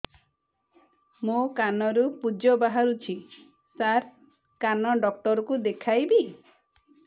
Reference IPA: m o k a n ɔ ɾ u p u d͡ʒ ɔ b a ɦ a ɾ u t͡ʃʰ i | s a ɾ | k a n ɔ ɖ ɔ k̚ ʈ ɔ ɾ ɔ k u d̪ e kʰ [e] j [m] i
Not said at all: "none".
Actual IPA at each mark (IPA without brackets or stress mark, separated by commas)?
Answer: a, b